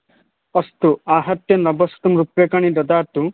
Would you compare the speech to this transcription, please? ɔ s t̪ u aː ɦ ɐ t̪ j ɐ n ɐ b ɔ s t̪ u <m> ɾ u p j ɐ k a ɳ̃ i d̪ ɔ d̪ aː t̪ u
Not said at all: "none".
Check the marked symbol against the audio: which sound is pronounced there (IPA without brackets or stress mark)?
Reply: m